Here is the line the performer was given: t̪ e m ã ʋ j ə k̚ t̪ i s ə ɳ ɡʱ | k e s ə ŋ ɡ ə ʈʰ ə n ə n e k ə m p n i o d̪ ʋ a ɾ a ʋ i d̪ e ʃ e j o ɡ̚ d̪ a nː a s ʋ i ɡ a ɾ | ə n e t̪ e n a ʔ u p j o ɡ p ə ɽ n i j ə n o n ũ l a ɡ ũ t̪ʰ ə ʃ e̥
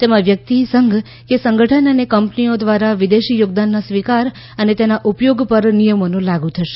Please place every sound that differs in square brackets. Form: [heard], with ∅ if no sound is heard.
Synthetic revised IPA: t̪ e m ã ʋ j ə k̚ t̪ i s ə [ŋ] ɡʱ | k e s ə ŋ ɡ ə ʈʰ ə n ə n e k ə m p n i o d̪ ʋ a ɾ a ʋ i d̪ e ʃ [i] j o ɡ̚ d̪ a nː a s ʋ i [k] a ɾ | ə n e t̪ e n a ʔ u p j o ɡ p ə [ɾ] n i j ə [m] o n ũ l a ɡ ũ t̪ʰ ə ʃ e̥

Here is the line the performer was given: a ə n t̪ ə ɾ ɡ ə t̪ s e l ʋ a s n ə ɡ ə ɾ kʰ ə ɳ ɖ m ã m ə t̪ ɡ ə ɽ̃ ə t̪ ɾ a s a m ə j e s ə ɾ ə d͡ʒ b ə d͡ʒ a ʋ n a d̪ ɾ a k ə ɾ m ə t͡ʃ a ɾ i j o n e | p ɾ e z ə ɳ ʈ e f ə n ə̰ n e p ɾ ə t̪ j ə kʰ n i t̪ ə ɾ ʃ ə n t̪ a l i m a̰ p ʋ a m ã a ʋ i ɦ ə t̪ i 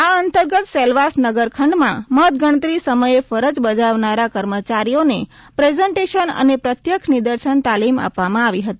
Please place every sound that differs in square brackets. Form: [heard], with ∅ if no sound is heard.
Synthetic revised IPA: a ə n t̪ ə ɾ ɡ ə t̪ s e l ʋ a s n ə ɡ ə ɾ kʰ ə ɳ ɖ m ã m ə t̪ ɡ ə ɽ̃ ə t̪ ɾ [i] s [ə] m ə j e [f] ə ɾ ə d͡ʒ b ə d͡ʒ a ʋ n a [∅] ɾ a k ə ɾ m ə t͡ʃ a ɾ i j o n e | p ɾ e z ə ɳ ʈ e [ʃ] ə n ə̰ n e p ɾ ə t̪ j ə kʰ n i [d̪] ə ɾ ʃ ə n t̪ a l i m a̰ p ʋ a m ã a ʋ i ɦ ə t̪ i

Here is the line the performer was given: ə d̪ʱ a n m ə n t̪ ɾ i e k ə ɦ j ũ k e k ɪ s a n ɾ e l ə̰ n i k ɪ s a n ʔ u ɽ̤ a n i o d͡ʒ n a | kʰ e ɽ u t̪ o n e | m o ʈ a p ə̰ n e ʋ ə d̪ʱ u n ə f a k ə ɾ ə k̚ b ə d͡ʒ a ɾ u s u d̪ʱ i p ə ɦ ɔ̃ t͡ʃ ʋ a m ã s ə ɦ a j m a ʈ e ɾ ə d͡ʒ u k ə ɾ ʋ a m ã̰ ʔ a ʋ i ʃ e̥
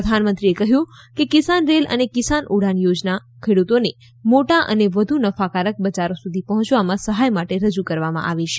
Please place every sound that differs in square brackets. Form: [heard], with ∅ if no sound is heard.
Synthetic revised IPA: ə d̪ʱ a n m ə n t̪ ɾ i e k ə ɦ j ũ k e k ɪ s a n ɾ e l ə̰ n [e] k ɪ s a n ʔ u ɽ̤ a n [j] o d͡ʒ n a | kʰ e ɽ u t̪ o n e | m o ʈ a [ʔ] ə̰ n e ʋ ə d̪ʱ u n ə f a k [a] ɾ ə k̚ b ə d͡ʒ a ɾ [o] s u d̪ʱ i p ə ɦ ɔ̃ t͡ʃ ʋ a m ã s ə ɦ a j m a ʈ e ɾ ə d͡ʒ u k ə ɾ ʋ a m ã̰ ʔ a ʋ i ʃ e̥

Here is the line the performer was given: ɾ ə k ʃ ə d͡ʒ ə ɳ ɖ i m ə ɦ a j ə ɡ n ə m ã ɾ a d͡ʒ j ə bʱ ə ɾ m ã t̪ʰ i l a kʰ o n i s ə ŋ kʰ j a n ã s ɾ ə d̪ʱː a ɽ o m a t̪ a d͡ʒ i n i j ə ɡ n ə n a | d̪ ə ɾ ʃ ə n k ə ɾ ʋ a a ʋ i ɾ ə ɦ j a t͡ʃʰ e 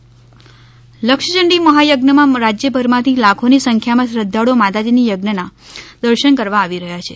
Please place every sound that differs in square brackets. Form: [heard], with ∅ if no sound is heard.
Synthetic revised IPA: [l] ə k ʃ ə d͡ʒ ə ɳ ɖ i m ə ɦ a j ə ɡ n ə m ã ɾ a d͡ʒ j ə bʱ ə ɾ m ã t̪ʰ i l a kʰ o n i s ə ŋ kʰ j a [m] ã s ɾ ə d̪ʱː a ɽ o m a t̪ a d͡ʒ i n i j ə ɡ n ə n a | d̪ ə ɾ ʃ ə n k ə ɾ ʋ a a ʋ i ɾ ə ɦ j a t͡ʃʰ e

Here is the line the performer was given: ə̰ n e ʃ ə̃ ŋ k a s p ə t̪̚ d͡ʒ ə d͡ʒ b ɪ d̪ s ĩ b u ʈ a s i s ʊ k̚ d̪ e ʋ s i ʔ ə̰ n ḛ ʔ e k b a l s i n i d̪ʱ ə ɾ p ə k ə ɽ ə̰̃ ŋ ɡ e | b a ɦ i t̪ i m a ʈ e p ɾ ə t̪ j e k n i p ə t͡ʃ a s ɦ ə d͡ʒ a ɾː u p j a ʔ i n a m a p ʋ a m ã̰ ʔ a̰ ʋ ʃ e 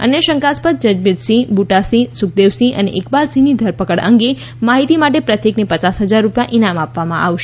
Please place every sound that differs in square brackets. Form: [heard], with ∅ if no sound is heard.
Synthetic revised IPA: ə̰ n e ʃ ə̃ ŋ k a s p ə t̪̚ d͡ʒ ə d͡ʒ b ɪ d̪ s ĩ b u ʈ a s i s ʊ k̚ d̪ e ʋ s i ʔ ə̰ n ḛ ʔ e k b a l s i n i d̪ʱ ə ɾ p ə k ə ɽ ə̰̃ ŋ ɡ e | [m] a ɦ i t̪ i m a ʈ e p ɾ ə t̪ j e k n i p ə t͡ʃ a s ɦ ə d͡ʒ a ɾː u p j a ʔ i n a m a p ʋ a m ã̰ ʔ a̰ ʋ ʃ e

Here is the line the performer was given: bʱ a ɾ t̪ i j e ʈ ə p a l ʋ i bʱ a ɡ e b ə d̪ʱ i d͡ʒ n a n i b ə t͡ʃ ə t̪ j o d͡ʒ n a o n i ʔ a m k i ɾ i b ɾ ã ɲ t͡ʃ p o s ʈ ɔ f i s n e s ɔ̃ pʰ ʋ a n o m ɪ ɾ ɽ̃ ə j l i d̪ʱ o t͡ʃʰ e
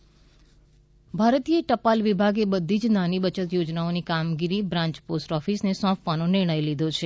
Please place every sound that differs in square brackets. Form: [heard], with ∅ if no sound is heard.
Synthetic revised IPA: bʱ a ɾ t̪ i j e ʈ ə p a l ʋ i bʱ a ɡ e b ə d̪ʱ i d͡ʒ n a n i b ə t͡ʃ ə t̪ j o d͡ʒ n a o n i [k] a m [ɡ] i ɾ i b ɾ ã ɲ t͡ʃ p o s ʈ ɔ f i s n e s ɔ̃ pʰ ʋ a n o [n] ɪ ɾ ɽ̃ ə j l i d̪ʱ o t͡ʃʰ e

